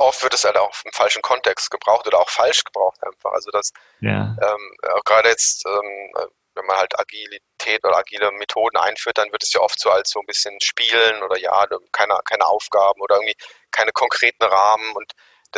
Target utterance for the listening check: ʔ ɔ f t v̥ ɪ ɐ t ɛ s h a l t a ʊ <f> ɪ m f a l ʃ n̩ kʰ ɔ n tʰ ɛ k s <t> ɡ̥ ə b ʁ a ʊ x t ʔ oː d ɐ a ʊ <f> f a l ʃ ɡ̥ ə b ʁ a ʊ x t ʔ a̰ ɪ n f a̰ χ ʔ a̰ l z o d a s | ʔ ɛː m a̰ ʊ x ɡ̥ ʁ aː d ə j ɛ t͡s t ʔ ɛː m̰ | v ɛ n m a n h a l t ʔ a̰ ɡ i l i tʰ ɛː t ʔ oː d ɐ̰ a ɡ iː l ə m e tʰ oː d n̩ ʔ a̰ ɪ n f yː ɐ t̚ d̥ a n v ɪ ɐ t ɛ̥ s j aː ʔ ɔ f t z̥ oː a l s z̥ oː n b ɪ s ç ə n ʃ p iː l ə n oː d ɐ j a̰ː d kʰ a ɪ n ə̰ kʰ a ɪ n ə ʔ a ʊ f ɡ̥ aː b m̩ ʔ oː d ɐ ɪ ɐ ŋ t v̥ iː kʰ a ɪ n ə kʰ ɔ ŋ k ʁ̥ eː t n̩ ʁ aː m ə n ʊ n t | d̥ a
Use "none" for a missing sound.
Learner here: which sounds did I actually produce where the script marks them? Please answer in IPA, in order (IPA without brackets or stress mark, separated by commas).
x, t, x